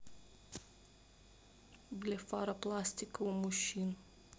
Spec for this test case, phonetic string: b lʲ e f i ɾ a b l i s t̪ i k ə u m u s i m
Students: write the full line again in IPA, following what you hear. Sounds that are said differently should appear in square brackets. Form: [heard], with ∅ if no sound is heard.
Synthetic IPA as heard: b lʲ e f [a] ɾ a [p] l [a] s t̪ i k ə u m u [ʃ] i [n]